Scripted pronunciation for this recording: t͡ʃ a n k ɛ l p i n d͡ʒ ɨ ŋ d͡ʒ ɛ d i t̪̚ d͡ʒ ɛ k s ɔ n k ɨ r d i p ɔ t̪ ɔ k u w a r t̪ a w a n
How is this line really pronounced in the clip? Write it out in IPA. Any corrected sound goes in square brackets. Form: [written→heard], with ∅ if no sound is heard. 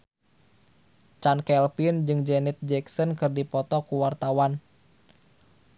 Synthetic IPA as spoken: t͡ʃ a n k ɛ l p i n d͡ʒ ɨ ŋ d͡ʒ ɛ [d→n] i t̪̚ d͡ʒ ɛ k s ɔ n k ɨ r d i p ɔ t̪ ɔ k u w a r t̪ a w a n